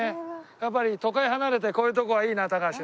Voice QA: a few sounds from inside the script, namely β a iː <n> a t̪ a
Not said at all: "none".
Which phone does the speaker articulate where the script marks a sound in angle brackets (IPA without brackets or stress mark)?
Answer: n